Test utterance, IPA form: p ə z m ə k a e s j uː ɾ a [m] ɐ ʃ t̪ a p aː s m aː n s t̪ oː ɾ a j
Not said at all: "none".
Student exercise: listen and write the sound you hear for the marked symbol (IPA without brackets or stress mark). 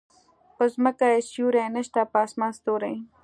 n